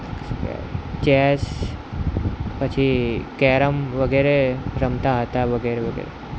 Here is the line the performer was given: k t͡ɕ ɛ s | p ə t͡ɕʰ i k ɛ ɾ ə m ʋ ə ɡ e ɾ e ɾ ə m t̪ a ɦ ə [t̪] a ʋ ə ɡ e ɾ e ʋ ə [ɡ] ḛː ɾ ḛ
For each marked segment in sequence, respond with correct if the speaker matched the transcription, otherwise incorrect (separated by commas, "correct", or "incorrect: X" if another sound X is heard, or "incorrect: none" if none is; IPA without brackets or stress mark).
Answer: correct, correct